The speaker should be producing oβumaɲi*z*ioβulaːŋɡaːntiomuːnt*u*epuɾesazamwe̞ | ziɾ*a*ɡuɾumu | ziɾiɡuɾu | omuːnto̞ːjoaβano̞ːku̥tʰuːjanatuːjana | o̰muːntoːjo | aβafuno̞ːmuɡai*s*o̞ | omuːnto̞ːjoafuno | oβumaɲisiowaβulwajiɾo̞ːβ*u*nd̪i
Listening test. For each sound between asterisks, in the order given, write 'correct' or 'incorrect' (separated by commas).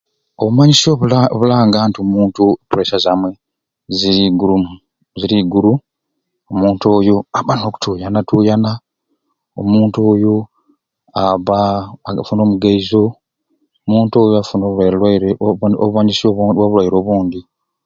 incorrect, correct, incorrect, incorrect, incorrect